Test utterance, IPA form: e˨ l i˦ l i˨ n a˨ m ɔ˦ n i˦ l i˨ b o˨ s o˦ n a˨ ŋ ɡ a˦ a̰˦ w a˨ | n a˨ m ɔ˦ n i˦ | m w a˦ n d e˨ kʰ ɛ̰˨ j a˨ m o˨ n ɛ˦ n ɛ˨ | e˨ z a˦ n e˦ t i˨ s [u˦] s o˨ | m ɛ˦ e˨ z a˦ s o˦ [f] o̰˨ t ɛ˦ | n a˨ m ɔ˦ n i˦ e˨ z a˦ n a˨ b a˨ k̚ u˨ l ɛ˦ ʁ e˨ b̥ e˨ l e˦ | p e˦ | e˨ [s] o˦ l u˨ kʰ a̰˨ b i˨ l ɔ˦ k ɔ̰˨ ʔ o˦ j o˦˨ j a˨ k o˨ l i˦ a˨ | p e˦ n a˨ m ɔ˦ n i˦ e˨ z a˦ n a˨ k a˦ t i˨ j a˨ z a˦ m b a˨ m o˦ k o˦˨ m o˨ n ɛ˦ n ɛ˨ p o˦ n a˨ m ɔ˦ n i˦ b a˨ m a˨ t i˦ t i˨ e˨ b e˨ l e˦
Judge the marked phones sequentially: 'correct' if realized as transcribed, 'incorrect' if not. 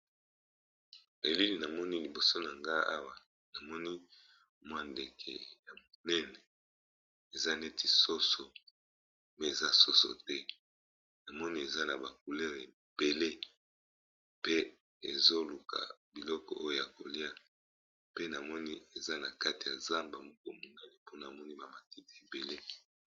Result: incorrect, incorrect, incorrect

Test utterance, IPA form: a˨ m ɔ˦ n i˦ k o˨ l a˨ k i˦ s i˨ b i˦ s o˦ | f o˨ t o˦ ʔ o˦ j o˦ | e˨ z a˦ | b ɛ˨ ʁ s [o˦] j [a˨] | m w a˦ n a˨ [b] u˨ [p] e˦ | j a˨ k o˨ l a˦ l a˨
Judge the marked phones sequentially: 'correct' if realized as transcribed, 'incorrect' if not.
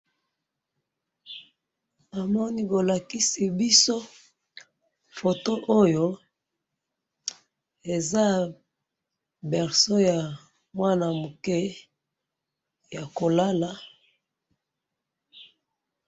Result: correct, correct, incorrect, incorrect

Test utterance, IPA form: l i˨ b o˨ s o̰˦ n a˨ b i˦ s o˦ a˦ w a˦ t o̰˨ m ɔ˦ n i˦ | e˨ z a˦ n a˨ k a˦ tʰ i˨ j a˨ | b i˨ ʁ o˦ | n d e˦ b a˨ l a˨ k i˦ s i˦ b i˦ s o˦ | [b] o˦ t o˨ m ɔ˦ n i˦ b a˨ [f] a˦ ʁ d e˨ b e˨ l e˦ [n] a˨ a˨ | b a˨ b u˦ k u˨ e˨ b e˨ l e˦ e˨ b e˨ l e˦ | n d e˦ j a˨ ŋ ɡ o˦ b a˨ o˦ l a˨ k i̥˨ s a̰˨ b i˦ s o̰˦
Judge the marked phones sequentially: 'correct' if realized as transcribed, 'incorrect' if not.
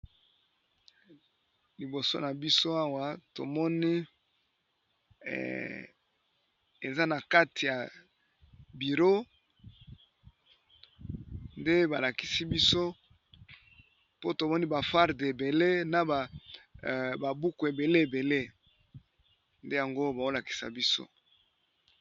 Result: incorrect, correct, correct

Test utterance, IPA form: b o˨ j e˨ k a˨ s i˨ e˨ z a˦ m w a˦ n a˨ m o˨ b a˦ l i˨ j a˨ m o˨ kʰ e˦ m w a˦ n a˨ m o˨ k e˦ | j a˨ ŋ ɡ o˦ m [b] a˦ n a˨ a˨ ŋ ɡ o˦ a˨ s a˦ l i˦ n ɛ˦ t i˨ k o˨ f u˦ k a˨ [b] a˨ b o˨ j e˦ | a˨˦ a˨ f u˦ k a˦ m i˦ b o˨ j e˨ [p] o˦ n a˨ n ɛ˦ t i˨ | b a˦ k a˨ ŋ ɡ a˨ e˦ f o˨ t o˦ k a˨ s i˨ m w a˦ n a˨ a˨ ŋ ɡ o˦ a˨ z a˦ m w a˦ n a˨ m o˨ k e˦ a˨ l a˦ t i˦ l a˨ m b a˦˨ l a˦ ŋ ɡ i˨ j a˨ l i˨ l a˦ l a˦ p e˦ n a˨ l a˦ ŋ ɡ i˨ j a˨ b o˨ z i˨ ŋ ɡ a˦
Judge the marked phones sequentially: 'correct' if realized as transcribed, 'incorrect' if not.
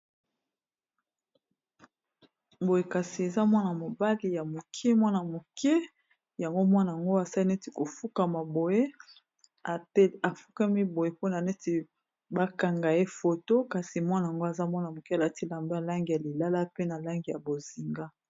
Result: incorrect, incorrect, correct

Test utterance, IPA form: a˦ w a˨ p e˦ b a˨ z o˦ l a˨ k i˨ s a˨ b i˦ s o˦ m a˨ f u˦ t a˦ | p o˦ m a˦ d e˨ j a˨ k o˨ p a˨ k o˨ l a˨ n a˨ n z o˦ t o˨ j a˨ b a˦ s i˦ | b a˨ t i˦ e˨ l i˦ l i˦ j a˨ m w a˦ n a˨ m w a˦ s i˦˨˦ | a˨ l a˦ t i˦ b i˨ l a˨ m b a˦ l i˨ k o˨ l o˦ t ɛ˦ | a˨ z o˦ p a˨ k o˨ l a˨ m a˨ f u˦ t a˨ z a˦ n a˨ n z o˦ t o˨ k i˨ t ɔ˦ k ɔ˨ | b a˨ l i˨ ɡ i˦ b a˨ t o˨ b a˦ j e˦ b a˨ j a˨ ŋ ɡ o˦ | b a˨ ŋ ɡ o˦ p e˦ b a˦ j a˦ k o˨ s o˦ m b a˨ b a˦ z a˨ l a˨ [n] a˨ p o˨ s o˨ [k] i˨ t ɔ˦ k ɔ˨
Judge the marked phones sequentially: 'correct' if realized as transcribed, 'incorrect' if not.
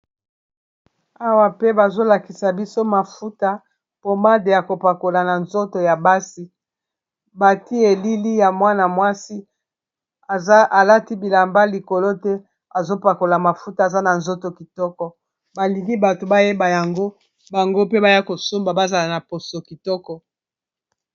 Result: correct, correct

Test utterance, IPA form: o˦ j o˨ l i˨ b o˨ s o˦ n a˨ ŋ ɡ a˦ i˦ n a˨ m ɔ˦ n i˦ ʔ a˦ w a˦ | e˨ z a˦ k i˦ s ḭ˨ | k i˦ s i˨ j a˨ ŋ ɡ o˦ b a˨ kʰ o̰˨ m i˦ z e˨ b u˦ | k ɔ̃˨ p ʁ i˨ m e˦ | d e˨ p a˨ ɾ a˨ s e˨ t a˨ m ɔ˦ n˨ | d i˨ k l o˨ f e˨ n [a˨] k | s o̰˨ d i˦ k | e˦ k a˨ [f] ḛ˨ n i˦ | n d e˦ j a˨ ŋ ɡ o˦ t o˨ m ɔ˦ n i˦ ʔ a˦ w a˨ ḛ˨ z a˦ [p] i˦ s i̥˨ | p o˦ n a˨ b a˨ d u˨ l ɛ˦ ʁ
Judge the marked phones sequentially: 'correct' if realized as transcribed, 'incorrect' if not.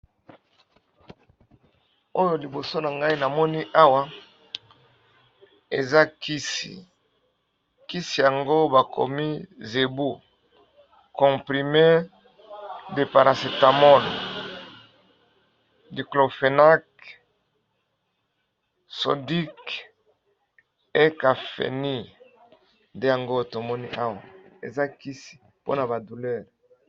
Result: incorrect, correct, incorrect

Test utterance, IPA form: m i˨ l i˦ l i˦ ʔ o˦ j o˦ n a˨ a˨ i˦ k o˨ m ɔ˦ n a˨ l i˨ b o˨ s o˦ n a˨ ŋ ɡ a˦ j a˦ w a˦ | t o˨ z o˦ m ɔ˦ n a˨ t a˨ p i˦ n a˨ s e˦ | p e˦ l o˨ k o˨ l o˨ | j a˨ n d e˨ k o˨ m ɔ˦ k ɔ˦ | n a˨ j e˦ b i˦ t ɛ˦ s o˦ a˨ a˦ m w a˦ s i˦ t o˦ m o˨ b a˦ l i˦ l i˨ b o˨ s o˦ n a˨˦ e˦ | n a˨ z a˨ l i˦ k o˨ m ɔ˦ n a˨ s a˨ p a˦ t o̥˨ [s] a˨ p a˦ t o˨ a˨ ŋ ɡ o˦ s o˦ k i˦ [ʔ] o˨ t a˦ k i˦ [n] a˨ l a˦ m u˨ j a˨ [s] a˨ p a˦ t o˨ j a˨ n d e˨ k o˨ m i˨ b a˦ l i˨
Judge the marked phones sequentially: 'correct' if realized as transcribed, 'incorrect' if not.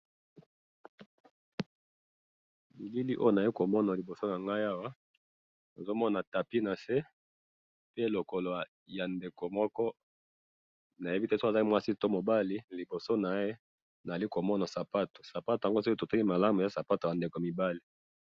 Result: correct, incorrect, incorrect, correct

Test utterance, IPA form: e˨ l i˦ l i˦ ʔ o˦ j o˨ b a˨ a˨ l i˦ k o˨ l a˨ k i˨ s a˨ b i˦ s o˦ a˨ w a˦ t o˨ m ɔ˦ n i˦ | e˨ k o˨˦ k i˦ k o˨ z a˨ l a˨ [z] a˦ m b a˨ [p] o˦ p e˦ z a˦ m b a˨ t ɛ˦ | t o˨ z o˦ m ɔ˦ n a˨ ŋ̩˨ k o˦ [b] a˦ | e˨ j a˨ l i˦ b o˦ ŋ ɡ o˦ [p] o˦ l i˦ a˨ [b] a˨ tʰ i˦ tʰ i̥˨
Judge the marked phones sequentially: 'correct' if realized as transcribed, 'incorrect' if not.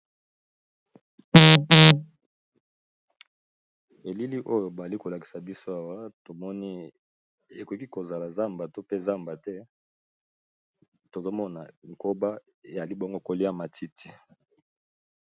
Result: correct, incorrect, correct, incorrect, incorrect

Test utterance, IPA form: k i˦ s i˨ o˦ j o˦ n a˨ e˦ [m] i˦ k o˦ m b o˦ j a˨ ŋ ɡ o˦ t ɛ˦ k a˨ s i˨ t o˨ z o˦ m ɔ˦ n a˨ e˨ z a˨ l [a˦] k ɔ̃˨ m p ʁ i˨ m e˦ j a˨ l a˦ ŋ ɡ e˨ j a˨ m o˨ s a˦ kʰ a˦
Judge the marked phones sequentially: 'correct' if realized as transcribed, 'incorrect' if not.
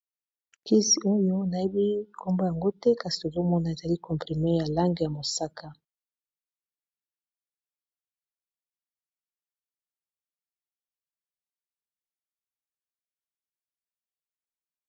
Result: incorrect, incorrect

